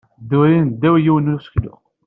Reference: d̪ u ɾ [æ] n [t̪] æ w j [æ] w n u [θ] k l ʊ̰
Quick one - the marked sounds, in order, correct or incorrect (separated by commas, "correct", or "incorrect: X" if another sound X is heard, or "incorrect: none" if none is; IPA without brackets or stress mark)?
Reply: incorrect: i, incorrect: d̪, incorrect: i, incorrect: s